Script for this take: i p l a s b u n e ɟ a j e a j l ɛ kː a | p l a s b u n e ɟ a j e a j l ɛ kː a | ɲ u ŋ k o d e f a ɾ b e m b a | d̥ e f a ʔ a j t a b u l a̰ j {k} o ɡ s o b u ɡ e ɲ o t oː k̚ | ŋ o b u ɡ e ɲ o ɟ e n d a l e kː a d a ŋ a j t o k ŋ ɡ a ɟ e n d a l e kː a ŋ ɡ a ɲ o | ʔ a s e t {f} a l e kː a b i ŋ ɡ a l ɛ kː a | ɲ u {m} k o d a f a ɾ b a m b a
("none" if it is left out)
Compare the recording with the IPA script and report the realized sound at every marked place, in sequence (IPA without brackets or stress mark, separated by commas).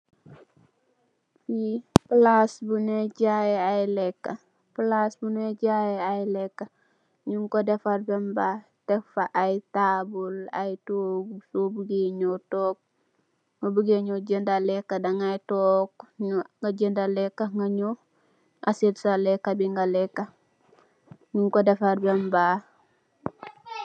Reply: t, s, ŋ